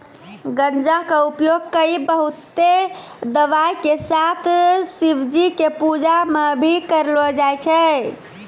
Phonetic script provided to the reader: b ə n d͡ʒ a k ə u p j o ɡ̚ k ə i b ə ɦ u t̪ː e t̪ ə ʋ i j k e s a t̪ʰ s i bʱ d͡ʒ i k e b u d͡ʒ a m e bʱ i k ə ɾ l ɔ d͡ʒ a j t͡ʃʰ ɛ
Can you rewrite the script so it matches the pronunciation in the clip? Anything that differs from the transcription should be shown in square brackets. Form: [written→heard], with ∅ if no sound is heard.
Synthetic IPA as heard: [b→ɡ] ə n d͡ʒ a k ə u p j o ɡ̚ k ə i b ə ɦ u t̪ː e [t̪→d̪] ə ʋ [i→a] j k e s a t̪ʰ s i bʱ d͡ʒ i k e [b→p] u d͡ʒ a m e bʱ i k ə ɾ l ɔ d͡ʒ a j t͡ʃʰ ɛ